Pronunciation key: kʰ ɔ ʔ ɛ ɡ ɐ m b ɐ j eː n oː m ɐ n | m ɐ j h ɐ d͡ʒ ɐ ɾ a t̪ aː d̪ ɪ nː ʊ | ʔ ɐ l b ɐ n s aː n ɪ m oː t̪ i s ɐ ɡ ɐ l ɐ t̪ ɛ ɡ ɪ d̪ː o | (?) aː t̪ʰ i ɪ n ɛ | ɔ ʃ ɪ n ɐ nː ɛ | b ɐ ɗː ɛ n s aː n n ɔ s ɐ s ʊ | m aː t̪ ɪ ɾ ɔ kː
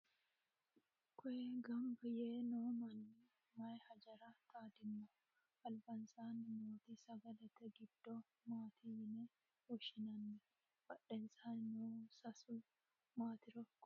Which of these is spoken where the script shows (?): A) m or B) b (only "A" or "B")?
A